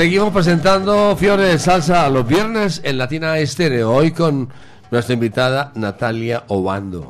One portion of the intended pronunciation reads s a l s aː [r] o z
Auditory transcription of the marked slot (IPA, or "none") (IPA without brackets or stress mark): l